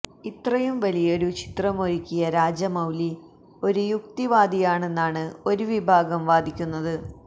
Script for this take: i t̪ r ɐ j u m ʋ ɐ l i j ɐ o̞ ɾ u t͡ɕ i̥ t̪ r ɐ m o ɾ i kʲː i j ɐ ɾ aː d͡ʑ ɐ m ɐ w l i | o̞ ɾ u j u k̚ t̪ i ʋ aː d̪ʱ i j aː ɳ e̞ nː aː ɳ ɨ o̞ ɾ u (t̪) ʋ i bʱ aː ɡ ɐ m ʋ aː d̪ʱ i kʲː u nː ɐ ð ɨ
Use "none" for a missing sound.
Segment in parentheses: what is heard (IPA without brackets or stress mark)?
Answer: none